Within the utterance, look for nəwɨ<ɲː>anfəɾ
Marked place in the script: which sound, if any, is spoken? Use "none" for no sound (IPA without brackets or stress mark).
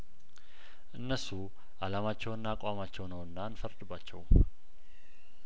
nː